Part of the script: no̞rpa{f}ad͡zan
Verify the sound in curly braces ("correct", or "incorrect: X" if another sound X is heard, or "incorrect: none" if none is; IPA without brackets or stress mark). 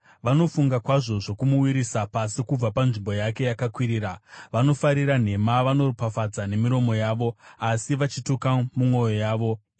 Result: correct